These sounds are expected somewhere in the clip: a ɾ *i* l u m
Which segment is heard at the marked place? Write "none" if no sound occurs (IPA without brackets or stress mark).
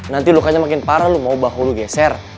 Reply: a